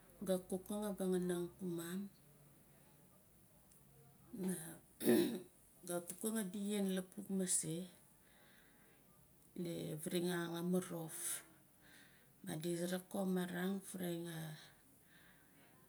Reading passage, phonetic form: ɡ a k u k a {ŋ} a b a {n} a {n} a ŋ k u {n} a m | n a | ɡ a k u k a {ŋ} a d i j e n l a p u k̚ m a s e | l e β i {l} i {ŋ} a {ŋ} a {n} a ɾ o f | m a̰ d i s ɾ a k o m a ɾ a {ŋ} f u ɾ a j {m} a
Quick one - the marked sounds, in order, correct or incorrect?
correct, incorrect, correct, incorrect, correct, incorrect, correct, correct, incorrect, correct, incorrect

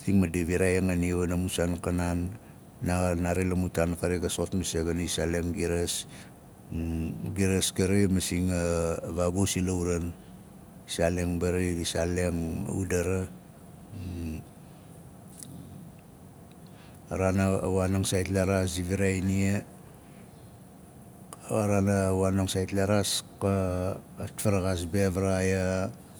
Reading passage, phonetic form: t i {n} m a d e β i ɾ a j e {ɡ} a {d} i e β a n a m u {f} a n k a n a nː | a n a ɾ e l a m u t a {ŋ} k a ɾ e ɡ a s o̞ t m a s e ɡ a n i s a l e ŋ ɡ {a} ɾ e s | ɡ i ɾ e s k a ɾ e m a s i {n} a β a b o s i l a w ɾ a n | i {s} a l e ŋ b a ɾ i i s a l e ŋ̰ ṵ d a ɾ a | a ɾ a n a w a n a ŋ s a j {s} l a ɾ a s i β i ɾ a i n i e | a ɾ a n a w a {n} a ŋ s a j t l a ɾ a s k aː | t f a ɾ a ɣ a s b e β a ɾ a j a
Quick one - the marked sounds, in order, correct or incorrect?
incorrect, incorrect, incorrect, incorrect, incorrect, incorrect, incorrect, correct, incorrect, correct

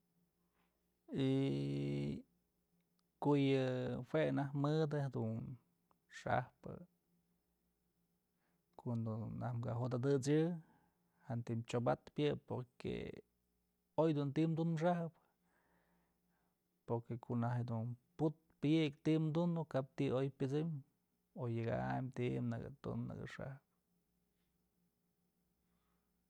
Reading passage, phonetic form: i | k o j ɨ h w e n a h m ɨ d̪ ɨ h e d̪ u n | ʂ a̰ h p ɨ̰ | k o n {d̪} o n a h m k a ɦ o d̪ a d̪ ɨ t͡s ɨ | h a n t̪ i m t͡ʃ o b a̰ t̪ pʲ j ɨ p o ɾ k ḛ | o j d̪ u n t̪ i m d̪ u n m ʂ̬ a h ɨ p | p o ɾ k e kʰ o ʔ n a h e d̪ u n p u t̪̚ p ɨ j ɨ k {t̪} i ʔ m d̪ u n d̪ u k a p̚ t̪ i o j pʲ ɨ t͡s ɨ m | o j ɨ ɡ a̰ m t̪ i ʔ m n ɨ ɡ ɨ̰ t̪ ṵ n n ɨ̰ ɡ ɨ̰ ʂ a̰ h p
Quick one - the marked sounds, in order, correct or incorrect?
correct, correct

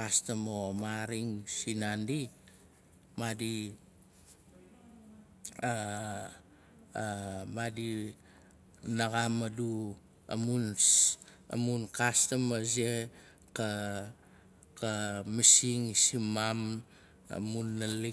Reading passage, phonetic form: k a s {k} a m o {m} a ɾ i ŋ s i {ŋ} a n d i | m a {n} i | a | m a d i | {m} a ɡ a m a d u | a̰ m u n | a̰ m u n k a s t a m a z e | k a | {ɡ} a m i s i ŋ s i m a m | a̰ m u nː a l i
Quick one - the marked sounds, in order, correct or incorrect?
incorrect, correct, incorrect, incorrect, incorrect, incorrect

